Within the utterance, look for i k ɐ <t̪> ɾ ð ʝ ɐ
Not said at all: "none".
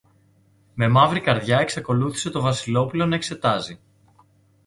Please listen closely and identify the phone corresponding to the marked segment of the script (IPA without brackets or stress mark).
none